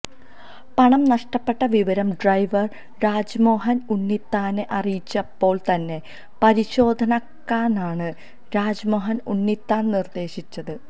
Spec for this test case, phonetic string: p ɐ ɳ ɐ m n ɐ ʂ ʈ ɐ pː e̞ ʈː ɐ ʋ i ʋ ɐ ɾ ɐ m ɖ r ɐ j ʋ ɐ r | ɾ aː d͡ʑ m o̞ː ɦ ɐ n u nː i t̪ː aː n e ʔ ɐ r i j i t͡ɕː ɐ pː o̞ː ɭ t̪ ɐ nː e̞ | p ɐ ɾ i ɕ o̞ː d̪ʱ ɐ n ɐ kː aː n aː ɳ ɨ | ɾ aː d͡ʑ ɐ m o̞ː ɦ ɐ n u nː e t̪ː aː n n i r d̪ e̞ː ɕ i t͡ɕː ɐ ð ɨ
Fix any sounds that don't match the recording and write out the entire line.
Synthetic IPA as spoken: p ɐ ɳ ɐ m n ɐ ʂ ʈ ɐ pː e̞ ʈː ɐ ʋ i ʋ ɐ ɾ ɐ m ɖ r ɐ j ʋ ɐ r | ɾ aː d͡ʑ m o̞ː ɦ ɐ n u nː i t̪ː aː n e ʔ ɐ r i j i t͡ɕː ɐ pː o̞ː ɭ t̪ ɐ nː e̞ | p ɐ ɾ i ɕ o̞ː d̪ʱ ɐ n ɐ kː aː n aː ɳ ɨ | ɾ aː d͡ʑ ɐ m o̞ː ɦ ɐ n u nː i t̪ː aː n n i r d̪ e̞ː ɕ i t͡ɕː ɐ ð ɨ

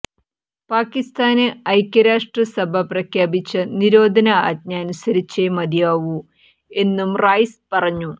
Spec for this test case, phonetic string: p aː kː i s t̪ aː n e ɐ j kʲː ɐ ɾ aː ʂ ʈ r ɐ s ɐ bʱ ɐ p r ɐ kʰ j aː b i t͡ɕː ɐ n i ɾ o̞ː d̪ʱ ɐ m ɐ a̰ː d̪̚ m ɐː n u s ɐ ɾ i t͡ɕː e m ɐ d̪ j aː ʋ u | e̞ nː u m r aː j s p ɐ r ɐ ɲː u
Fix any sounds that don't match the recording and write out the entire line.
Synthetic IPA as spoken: p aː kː i s t̪ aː n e ɐ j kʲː ɐ ɾ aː ʂ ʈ r ɐ s ɐ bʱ ɐ p r ɐ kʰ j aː b i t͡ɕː ɐ n i ɾ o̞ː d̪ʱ ɐ n ɐ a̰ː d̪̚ ɲ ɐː n u s ɐ ɾ i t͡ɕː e m ɐ d̪ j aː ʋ u | e̞ nː u m r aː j s p ɐ r ɐ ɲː u

